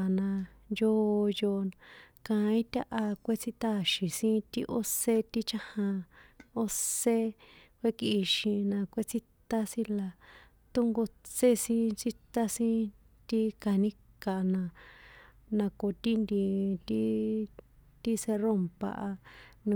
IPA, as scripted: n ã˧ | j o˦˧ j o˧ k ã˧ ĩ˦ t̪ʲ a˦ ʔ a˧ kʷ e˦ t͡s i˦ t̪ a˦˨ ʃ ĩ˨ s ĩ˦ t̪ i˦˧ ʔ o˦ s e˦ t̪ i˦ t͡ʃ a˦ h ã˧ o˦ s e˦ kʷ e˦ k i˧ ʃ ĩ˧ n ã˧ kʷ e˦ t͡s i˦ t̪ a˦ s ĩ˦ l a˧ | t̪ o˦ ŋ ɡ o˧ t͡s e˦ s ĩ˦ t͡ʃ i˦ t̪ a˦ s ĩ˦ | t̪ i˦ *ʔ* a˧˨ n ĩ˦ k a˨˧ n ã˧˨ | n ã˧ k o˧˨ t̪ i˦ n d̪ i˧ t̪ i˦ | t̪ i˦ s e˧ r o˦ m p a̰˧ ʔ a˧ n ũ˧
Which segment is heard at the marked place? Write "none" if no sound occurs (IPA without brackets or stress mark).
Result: k